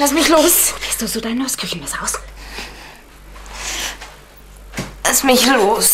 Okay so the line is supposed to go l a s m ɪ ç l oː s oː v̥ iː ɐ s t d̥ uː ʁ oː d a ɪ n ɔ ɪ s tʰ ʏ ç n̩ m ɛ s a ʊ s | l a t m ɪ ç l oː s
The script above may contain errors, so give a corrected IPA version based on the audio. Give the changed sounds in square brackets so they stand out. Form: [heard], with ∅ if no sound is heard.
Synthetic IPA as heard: l a s m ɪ ç l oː s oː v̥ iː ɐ s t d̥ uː [z] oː d a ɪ n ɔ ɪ s [kʰ] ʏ ç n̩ m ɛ s a ʊ s | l a [s] m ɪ ç l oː s